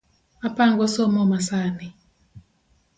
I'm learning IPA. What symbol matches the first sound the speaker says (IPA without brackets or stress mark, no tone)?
a